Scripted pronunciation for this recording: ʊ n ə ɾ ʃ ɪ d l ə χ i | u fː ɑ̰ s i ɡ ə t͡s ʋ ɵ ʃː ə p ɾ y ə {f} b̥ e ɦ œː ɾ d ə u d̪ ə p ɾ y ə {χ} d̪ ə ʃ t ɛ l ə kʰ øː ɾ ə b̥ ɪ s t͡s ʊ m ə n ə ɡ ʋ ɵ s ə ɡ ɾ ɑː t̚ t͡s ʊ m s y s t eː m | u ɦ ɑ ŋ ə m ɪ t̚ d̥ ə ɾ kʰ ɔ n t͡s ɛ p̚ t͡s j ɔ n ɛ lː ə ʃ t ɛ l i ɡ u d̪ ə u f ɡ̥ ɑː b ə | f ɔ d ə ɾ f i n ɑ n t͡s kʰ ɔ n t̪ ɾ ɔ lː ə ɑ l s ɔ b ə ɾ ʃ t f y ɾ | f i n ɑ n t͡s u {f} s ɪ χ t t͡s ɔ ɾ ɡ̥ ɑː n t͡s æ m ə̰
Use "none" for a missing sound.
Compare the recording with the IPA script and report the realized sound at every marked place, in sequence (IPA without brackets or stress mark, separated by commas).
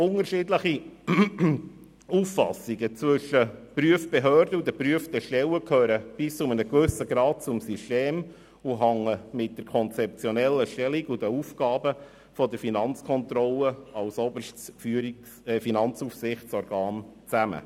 f, f, f